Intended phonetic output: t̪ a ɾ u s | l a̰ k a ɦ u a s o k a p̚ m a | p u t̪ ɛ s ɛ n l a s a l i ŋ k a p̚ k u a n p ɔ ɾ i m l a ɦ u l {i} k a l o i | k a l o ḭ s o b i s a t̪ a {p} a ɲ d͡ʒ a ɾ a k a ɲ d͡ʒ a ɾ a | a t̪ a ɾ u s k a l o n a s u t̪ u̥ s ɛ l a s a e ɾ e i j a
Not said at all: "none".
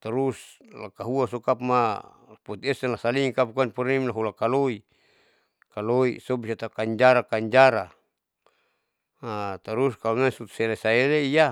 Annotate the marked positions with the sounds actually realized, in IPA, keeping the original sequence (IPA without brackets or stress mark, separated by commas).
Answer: a, k